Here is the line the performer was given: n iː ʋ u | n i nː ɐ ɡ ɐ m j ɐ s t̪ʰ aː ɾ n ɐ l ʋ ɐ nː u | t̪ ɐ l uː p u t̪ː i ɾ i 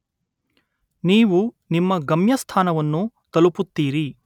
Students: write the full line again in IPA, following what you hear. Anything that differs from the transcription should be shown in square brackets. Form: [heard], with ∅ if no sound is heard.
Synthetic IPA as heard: n iː ʋ u | n i [mː] ɐ ɡ ɐ m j ɐ s t̪ʰ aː [∅] n ɐ [∅] ʋ ɐ nː u | t̪ ɐ l [u] p u t̪ː [iː] ɾ i